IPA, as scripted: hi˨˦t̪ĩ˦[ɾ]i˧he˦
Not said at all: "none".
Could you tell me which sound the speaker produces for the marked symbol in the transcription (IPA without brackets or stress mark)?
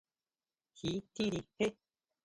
ɾ